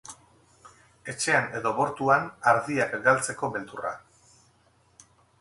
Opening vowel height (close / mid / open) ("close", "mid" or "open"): mid